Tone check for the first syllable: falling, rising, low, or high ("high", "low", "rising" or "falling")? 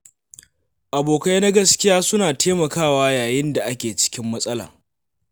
low